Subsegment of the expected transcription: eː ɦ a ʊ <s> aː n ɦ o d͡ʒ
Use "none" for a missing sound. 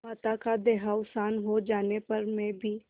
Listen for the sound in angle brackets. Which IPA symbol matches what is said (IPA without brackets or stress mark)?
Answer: s